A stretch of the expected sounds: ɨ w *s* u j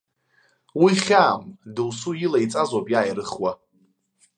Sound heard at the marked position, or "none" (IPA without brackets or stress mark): s